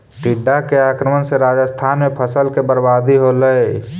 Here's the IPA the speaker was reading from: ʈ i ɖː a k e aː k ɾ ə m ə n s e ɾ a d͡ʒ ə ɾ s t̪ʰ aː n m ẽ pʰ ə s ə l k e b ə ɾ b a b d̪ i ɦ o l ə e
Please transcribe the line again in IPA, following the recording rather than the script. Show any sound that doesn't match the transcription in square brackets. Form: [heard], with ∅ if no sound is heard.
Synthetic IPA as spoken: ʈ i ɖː a k e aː k ɾ ə m ə n s e ɾ a d͡ʒ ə [∅] s t̪ʰ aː n m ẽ pʰ ə s ə l k e b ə ɾ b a [∅] d̪ i ɦ o l ə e